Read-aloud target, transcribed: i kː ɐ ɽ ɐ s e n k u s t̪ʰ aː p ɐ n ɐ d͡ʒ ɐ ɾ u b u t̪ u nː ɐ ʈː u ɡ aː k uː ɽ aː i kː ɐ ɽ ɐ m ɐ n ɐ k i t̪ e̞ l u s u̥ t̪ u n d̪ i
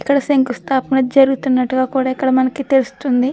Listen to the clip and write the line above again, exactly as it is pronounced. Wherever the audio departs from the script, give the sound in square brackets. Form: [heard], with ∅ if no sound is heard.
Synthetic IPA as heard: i kː ɐ ɽ ɐ s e [ŋ] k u s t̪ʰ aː p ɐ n ɐ d͡ʒ ɐ ɾ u [ɡ] u t̪ u nː ɐ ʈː u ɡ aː k uː ɽ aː i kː ɐ ɽ ɐ m ɐ n ɐ k i t̪ e̞ l u s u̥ t̪ u n d̪ i